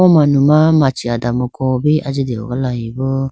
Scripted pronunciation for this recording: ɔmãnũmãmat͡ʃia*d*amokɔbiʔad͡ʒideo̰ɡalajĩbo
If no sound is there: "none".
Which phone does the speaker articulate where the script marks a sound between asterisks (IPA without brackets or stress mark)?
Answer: d